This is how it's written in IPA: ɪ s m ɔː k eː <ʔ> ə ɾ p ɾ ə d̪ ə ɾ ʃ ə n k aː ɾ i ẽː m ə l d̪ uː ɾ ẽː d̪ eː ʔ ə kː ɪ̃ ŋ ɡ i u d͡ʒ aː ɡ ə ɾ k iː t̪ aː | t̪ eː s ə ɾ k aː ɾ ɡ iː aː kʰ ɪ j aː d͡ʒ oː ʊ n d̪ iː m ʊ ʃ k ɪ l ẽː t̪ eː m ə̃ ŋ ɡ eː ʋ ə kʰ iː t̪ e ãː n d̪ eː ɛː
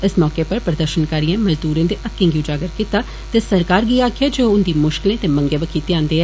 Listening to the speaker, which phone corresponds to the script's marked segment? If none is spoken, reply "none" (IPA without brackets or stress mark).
p